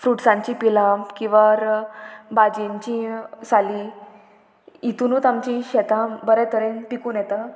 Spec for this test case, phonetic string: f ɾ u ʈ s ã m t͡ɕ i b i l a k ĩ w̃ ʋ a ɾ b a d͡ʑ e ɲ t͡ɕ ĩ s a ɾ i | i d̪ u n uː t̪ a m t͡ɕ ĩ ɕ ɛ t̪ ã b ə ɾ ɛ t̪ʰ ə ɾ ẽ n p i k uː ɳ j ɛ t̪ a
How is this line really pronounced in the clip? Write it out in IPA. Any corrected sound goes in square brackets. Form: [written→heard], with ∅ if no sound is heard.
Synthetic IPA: f ɾ u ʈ s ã [m→ɲ] t͡ɕ i [b→p] i l a k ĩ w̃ ʋ a ɾ b a d͡ʑ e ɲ t͡ɕ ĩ s a [ɾ→l] i | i [d̪→t̪] u n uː t̪ a m t͡ɕ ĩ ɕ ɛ t̪ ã b ə ɾ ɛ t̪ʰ ə ɾ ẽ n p i k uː [ɳ→n] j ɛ t̪ a